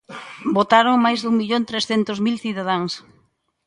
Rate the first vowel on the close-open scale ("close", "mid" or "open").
mid